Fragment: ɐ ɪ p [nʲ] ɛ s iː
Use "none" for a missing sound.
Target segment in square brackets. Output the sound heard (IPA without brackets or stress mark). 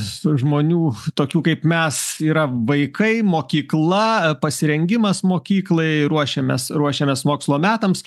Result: mʲ